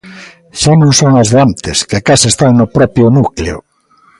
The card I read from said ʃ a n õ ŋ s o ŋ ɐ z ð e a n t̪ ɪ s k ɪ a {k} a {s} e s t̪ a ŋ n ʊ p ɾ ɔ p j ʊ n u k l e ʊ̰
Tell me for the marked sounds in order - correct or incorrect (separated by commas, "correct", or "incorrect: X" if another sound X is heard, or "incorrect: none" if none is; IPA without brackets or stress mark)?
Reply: correct, correct